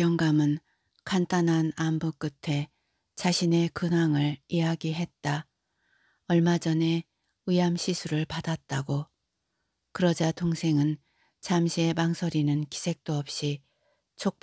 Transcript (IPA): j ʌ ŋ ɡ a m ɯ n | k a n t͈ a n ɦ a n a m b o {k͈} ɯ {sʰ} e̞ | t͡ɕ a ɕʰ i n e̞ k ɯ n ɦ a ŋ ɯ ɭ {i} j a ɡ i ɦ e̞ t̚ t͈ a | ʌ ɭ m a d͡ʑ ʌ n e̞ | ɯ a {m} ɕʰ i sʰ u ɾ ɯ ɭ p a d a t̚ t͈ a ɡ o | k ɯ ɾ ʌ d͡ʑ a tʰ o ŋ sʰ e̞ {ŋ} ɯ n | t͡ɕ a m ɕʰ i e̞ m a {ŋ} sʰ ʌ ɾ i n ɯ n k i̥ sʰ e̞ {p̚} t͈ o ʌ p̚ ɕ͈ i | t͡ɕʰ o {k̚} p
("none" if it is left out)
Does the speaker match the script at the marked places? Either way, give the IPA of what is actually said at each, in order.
k͈, tʰ, i, m, ŋ, ŋ, k̚, k̚

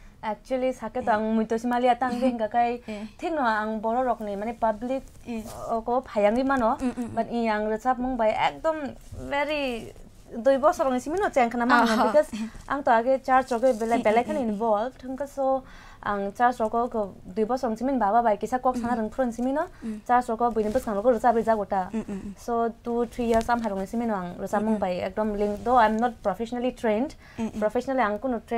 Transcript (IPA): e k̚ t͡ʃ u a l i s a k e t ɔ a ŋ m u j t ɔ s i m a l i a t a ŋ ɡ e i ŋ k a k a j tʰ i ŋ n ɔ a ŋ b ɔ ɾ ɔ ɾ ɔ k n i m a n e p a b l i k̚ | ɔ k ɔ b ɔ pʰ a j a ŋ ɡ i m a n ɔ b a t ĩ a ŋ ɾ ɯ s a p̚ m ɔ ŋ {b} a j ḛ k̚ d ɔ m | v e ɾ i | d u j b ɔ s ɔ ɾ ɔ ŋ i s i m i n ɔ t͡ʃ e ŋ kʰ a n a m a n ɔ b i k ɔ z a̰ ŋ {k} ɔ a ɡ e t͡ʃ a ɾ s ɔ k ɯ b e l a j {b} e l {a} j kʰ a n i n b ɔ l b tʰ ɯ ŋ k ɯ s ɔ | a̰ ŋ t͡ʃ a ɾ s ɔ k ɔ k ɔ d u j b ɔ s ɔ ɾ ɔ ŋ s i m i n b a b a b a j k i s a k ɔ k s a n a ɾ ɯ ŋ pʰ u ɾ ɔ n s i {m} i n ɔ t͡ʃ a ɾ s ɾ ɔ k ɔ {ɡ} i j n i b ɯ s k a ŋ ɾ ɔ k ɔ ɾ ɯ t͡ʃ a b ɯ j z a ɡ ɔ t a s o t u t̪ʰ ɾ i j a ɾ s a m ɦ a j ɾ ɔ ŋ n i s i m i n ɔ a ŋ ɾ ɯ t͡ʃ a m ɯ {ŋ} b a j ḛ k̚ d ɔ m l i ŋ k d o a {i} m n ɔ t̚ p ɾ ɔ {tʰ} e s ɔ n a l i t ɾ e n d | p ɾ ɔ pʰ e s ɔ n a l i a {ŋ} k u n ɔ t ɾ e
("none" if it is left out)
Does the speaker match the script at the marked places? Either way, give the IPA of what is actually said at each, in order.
b, t, b, a, m, b, ŋ, j, pʰ, ŋ

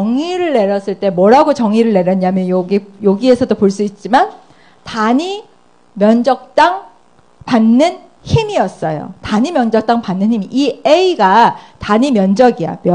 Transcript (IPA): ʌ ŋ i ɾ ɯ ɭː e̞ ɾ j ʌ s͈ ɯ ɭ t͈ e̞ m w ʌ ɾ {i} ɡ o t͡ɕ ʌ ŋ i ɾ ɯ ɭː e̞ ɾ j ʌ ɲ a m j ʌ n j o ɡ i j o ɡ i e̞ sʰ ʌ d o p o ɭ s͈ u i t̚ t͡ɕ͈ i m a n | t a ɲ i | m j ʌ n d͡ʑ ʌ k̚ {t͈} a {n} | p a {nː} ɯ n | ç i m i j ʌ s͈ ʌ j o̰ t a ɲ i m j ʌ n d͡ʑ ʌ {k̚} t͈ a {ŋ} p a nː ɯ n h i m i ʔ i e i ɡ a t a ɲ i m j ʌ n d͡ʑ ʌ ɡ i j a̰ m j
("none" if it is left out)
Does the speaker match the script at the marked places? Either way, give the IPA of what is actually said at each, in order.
a, t͈, ŋ, nː, k̚, ŋ

